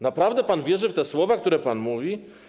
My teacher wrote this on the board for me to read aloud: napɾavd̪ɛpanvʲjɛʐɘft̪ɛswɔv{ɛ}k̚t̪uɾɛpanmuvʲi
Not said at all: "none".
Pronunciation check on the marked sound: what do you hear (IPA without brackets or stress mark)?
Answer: a